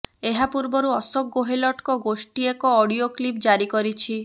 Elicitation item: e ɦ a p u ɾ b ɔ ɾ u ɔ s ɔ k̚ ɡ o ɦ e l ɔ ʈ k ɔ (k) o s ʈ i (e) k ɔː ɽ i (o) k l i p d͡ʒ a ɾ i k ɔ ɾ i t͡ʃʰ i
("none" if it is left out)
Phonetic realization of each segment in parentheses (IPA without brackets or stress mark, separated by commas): ɡ, e, o